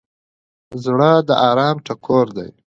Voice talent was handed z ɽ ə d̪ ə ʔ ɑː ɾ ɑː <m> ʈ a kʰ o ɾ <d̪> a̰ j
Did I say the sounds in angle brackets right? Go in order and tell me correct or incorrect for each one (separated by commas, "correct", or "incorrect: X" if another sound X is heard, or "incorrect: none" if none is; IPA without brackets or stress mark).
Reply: correct, correct